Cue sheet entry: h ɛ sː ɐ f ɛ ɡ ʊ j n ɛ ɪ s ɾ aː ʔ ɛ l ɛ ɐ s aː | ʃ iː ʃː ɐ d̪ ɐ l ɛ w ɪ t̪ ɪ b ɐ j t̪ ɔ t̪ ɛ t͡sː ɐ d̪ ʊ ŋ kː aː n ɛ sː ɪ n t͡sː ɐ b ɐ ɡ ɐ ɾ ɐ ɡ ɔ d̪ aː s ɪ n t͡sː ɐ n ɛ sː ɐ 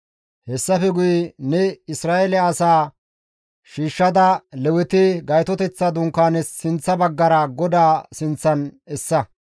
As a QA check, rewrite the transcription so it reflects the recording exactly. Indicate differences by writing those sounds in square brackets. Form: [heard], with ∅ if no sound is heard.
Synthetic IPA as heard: h ɛ sː ɐ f ɛ ɡ ʊ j n ɛ ɪ s ɾ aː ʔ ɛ l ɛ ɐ s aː | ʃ iː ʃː ɐ d̪ ɐ l ɛ w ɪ t̪ ɪ [ɡ] ɐ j t̪ ɔ t̪ ɛ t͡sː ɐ d̪ ʊ ŋ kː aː n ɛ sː ɪ n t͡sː ɐ b ɐ [ɡː] ɐ ɾ ɐ ɡ ɔ d̪ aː s ɪ n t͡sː ɐ n ɛ sː ɐ